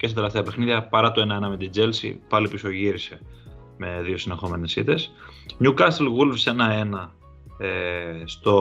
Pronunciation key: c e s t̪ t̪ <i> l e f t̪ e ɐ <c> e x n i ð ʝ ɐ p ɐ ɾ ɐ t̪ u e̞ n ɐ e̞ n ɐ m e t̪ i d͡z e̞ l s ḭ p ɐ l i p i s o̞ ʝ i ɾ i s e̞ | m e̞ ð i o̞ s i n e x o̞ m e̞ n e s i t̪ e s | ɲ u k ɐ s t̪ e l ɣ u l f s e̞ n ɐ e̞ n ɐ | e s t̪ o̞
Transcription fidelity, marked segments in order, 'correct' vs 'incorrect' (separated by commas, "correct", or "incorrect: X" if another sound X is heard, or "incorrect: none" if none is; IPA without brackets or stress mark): incorrect: e, incorrect: p